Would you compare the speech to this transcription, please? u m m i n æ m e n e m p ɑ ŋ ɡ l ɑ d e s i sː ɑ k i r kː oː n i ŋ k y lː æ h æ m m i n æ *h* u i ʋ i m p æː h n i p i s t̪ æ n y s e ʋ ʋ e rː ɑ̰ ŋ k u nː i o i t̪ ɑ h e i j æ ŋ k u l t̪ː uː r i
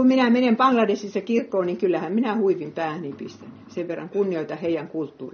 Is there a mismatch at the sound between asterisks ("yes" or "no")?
no